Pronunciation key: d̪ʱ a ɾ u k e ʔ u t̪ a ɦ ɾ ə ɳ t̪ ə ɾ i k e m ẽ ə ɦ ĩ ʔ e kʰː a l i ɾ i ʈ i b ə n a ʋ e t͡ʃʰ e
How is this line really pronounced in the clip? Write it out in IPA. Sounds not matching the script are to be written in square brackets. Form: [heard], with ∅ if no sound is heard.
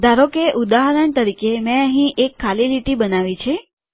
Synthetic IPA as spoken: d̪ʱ a ɾ [o] k e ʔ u [d̪] a ɦ ɾ ə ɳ t̪ ə ɾ i k e m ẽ ə ɦ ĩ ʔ e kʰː a l i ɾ i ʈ i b ə n a ʋ [i] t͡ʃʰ e